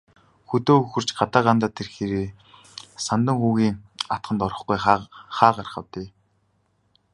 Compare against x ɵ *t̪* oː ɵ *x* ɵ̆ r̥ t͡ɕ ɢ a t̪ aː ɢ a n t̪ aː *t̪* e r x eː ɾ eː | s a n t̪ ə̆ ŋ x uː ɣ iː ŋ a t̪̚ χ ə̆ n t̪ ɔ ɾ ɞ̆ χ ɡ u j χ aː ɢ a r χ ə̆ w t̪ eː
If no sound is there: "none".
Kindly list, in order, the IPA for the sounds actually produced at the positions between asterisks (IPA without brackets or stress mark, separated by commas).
t̪, x, t̪ʰ